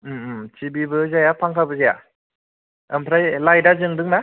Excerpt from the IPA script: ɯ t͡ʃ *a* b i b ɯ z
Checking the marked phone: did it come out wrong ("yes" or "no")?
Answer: yes